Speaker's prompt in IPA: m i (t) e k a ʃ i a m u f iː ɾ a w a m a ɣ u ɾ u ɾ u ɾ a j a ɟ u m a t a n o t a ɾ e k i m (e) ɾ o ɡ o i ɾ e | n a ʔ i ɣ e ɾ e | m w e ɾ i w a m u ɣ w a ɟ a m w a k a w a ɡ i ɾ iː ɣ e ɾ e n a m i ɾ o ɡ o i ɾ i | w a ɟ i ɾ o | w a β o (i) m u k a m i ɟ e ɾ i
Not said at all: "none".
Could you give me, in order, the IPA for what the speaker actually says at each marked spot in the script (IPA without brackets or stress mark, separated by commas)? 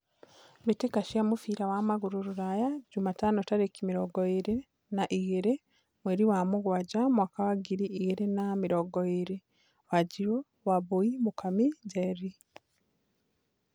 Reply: t, i, i